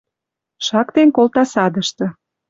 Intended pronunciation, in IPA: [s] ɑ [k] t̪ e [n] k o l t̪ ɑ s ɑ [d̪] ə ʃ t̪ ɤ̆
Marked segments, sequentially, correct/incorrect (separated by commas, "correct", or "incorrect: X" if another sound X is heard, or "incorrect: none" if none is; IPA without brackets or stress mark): incorrect: ʃ, correct, correct, correct